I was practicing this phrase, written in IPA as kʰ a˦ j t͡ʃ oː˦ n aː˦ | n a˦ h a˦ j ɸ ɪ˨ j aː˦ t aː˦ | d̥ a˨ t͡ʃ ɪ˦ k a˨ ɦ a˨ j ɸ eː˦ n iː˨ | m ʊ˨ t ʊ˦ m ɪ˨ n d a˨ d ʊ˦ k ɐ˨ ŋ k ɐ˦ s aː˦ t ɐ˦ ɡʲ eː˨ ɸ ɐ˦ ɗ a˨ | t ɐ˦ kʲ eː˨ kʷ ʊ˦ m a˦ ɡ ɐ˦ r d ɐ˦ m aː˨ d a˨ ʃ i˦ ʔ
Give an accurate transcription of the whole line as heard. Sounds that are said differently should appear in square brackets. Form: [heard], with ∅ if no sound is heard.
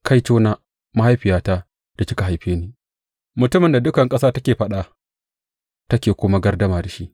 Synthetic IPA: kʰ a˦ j t͡ʃ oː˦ n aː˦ | [m] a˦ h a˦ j ɸ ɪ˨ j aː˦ t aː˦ | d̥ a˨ t͡ʃ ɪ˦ k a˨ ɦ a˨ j ɸ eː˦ n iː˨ | m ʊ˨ t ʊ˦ m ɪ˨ n d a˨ d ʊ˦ k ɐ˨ ŋ [kʼ] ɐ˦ s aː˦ t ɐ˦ [kʲ] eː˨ ɸ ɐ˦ ɗ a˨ | t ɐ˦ kʲ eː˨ kʷ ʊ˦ m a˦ ɡ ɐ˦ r d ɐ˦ m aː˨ d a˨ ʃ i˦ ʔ